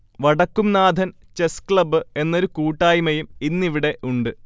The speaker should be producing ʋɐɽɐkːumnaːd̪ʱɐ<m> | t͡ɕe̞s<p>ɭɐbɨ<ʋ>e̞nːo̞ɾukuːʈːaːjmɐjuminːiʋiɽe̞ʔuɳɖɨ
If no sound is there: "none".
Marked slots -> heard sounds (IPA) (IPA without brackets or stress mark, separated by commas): n, k, none